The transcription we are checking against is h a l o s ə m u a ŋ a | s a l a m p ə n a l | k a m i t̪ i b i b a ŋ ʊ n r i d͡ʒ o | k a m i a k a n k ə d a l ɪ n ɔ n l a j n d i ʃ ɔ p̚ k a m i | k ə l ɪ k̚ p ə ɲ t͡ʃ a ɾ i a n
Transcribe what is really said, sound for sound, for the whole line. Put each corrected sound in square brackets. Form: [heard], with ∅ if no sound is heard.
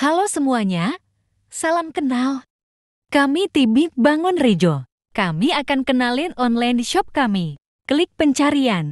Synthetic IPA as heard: h a l o s ə m u a [ɲ] a | s a l a m [k] ə n a l | k a m i t̪ i b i b a ŋ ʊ n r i d͡ʒ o | k a m i a k a n k ə [n] a l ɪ n ɔ n l a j n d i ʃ ɔ p̚ k a m i | k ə l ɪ k̚ p ə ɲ t͡ʃ a ɾ i a n